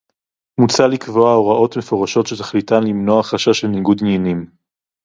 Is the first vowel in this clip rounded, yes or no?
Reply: yes